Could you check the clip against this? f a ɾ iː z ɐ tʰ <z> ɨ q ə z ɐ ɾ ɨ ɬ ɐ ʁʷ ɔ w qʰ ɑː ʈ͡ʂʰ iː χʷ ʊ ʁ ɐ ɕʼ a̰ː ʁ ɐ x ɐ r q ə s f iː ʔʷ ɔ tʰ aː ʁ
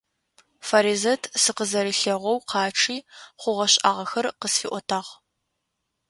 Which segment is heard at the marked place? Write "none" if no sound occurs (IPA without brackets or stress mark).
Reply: s